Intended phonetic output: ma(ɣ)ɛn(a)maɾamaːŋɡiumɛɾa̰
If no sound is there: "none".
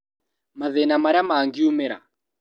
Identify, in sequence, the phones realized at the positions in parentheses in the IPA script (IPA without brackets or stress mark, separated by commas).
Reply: ð, a